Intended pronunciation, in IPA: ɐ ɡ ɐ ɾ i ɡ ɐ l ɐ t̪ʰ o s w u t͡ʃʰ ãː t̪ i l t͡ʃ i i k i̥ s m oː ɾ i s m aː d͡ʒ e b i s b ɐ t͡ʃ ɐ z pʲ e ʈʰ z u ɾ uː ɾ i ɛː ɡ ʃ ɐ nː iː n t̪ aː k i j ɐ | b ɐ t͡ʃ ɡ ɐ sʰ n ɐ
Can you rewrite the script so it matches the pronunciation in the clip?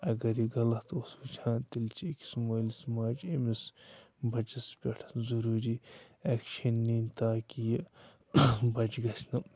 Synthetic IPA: ɐ ɡ ɐ ɾ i ɡ ɐ l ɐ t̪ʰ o s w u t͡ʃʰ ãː t̪ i l t͡ʃ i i k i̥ s m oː l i s m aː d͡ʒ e m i s b ɐ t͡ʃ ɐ s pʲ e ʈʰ z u ɾ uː ɾ i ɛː k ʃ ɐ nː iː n t̪ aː k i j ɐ | b ɐ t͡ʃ ɡ ɐ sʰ n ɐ